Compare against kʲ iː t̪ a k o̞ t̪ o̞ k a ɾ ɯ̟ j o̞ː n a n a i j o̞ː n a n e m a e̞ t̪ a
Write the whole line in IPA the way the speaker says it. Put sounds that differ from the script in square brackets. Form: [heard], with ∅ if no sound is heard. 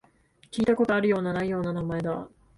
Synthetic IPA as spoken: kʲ iː t̪ a k o̞ t̪ o̞ [∅] a ɾ ɯ̟ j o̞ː n a n a i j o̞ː n a n [a] m a e̞ [d̪] a